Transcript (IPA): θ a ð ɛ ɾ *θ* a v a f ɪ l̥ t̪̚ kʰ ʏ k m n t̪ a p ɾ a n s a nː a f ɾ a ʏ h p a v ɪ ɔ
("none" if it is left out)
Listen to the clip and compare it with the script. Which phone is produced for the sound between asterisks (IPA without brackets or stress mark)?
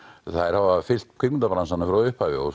h